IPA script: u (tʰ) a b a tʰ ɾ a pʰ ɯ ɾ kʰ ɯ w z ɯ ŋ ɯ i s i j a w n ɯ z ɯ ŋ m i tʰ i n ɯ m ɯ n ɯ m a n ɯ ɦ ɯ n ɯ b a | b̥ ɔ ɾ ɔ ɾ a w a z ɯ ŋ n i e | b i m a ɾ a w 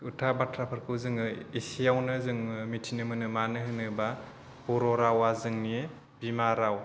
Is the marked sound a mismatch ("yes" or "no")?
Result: no